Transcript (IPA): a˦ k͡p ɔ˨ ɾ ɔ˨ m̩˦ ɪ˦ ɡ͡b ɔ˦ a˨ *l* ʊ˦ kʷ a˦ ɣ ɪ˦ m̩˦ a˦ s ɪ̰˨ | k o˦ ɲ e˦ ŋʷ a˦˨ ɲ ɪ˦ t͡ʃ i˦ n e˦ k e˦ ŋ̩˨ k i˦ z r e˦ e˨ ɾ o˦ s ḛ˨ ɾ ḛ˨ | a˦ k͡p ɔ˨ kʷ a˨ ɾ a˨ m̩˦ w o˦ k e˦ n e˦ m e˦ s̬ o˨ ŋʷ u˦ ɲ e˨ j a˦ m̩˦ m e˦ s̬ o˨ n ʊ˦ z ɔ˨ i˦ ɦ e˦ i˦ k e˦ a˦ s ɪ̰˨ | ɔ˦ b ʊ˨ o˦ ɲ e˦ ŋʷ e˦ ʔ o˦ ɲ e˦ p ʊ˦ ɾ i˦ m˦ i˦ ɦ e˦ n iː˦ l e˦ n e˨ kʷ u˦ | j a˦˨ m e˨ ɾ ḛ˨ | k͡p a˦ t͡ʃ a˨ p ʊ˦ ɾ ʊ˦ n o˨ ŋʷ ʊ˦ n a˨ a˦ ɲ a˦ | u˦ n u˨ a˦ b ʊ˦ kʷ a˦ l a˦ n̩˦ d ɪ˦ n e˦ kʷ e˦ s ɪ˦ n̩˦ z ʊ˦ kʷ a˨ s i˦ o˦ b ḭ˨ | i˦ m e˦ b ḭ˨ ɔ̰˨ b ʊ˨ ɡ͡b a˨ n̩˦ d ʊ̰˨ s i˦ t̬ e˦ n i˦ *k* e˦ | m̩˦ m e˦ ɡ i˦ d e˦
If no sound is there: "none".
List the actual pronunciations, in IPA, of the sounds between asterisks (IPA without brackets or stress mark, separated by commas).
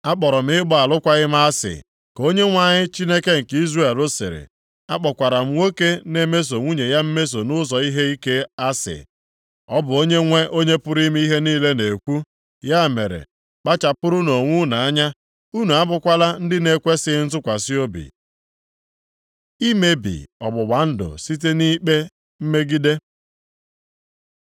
l, k͡p